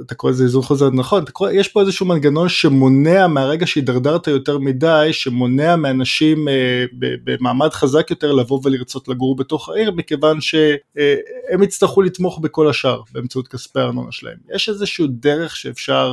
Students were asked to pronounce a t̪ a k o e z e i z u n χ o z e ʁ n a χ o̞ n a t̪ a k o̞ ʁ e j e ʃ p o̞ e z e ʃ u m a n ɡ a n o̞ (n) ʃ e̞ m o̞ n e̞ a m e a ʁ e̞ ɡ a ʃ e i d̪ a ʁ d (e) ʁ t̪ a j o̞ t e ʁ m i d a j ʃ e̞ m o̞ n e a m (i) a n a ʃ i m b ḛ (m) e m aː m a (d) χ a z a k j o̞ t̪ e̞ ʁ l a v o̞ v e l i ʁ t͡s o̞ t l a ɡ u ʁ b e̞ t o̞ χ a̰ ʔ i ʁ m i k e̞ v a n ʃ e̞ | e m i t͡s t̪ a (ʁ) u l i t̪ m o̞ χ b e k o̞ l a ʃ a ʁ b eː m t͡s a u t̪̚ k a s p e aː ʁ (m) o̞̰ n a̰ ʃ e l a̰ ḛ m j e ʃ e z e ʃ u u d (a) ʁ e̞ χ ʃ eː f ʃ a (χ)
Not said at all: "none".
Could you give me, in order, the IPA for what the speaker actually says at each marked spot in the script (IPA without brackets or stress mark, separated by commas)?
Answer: n, a, e, b, d, χ, n, e, ʁ